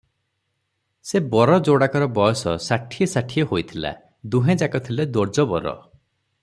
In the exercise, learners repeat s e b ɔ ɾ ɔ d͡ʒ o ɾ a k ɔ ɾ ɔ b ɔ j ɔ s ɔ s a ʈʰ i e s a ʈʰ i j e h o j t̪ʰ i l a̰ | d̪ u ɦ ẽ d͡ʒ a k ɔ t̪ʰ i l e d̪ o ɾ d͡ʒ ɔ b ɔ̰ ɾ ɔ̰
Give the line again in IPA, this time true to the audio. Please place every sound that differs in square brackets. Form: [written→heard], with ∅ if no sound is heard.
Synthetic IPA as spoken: s e b ɔ ɾ ɔ d͡ʒ o [ɾ→ɽ] a k ɔ ɾ ɔ b ɔ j ɔ s ɔ s a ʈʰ i e s a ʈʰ i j e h o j t̪ʰ i l a̰ | d̪ u ɦ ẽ d͡ʒ a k ɔ t̪ʰ i l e d̪ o ɾ d͡ʒ ɔ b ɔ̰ ɾ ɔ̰